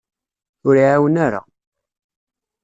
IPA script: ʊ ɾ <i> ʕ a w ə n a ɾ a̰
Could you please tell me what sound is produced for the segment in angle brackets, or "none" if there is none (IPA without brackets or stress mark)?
i